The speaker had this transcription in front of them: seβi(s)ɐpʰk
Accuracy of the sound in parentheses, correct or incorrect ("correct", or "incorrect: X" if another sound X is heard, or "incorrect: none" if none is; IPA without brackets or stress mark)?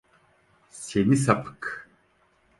correct